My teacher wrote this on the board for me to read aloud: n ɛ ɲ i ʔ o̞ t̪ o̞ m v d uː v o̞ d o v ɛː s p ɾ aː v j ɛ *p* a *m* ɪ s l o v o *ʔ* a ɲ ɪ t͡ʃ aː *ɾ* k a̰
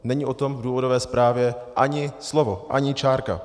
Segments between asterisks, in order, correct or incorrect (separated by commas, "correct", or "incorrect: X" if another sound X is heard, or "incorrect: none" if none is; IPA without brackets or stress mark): incorrect: ʔ, incorrect: ɲ, correct, correct